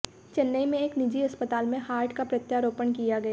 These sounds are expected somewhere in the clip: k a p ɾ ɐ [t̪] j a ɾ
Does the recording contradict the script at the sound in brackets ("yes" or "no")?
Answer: no